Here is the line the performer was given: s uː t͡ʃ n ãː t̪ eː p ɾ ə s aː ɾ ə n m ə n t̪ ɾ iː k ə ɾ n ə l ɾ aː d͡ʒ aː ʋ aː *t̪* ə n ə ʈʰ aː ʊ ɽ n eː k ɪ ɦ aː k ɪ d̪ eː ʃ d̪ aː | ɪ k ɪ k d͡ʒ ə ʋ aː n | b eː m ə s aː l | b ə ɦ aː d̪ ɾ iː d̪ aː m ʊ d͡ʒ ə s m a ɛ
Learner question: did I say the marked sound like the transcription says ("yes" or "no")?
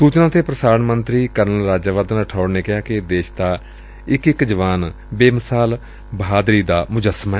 no